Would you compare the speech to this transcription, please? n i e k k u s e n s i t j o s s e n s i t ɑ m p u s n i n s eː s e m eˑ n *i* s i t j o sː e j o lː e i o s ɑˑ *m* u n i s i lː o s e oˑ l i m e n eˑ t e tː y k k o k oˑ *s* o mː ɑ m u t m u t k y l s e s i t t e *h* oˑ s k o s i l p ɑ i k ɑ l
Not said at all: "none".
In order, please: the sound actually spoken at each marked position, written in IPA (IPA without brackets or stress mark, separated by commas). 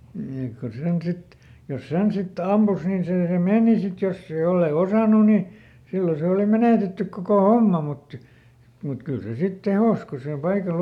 i, n, h, h